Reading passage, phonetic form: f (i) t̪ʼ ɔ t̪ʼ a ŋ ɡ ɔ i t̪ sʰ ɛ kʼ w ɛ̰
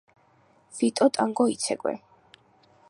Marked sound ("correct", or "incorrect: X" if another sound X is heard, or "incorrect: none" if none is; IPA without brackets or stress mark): correct